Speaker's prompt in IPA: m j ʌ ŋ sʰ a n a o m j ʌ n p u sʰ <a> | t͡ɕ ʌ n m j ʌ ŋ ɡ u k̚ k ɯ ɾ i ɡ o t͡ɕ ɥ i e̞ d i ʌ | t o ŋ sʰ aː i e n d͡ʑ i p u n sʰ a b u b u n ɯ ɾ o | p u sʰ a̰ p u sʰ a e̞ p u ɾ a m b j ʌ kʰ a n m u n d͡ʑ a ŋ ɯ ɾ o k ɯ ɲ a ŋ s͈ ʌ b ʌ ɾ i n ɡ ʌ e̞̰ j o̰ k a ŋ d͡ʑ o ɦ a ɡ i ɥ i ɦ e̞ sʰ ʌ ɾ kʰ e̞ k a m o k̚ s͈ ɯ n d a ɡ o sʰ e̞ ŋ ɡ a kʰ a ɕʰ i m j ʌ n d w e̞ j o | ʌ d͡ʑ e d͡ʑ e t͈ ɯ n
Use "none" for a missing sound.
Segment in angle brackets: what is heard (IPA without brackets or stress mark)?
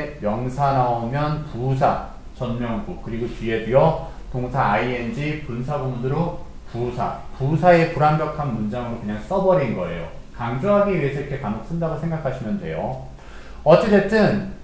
a